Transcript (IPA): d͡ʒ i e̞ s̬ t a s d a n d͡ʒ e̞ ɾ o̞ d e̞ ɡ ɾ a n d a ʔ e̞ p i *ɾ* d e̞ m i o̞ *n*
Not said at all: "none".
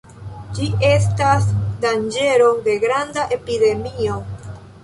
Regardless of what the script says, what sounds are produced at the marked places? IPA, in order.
none, none

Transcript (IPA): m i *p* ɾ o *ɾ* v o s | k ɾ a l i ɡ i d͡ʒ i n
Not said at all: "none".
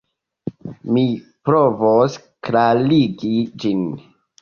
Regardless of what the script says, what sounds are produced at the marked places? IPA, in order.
p, none

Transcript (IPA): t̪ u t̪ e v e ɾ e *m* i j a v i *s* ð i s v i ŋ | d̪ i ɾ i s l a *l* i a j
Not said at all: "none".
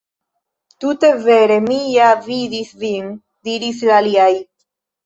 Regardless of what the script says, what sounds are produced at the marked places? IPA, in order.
m, none, l

